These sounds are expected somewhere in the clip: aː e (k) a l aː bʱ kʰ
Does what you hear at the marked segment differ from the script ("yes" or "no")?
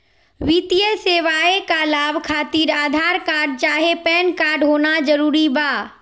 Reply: no